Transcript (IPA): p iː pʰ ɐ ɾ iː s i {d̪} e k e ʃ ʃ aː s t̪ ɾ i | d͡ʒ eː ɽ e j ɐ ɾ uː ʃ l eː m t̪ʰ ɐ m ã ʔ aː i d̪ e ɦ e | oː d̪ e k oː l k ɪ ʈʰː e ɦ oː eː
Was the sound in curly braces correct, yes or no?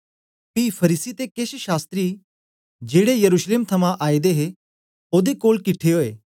no